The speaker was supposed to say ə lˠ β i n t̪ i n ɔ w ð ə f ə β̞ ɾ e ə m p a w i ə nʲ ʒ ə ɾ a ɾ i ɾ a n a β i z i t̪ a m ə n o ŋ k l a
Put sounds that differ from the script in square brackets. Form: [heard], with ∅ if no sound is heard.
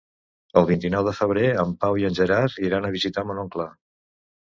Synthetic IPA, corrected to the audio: ə lˠ β i n t̪ i n ɔ w ð ə f ə β̞ ɾ e ə m p a w i ə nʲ ʒ ə ɾ a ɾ i ɾ a n [ə] β i z i t̪ a m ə n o ŋ k l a